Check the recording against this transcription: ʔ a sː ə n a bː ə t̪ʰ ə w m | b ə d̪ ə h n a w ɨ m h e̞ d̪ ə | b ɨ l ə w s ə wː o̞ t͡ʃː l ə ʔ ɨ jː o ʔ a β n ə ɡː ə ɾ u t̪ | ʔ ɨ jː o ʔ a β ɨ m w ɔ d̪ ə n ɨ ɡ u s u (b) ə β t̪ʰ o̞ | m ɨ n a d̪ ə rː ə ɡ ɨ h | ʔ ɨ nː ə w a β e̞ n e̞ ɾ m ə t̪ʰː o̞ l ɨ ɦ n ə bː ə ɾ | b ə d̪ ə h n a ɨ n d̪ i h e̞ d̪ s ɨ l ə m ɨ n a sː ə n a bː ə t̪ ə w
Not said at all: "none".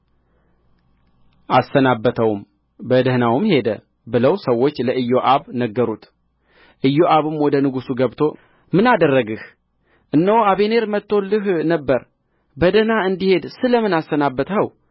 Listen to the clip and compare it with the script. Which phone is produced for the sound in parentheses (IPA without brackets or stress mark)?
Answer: ɡ